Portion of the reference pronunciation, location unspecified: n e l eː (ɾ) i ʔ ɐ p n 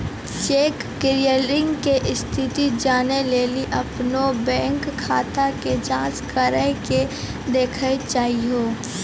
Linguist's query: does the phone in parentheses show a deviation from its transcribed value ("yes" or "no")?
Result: yes